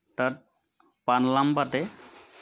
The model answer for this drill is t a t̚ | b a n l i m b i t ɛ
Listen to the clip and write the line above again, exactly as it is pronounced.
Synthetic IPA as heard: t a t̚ | p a n l a m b a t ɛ